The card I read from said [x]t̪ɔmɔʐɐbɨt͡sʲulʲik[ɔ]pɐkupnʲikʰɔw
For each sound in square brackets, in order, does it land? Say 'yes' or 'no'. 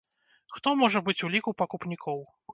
yes, no

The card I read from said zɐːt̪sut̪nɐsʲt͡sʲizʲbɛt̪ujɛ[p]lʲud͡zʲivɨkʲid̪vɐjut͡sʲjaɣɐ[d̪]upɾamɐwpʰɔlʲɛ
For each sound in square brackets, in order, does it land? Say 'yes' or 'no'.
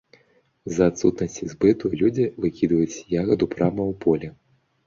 no, yes

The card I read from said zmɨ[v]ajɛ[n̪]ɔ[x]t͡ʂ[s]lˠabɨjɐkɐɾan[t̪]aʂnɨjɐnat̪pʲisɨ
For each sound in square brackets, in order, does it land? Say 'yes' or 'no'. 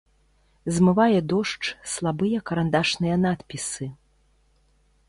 yes, no, no, yes, no

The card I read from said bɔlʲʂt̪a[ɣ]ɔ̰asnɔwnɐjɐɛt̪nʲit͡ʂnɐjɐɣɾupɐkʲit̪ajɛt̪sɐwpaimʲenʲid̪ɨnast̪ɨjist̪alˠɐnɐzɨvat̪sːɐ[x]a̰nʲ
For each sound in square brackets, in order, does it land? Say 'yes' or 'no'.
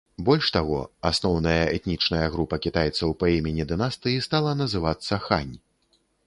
yes, yes

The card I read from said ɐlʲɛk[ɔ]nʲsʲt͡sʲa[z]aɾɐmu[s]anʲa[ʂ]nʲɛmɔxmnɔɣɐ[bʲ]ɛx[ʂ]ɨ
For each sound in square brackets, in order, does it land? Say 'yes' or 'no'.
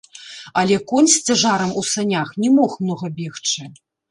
yes, no, yes, no, yes, no

